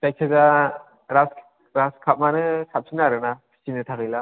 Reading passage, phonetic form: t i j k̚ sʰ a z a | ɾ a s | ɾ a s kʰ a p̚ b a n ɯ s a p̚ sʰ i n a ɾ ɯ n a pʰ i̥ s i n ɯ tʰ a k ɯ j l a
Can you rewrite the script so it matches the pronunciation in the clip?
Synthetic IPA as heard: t a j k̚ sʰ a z a | ɾ a s | ɾ a s kʰ a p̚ m a n ɯ s a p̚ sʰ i n a ɾ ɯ n a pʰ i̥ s i n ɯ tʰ a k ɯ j l a